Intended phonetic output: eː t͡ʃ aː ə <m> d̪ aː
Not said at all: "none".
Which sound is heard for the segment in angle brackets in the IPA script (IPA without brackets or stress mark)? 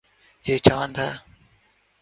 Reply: n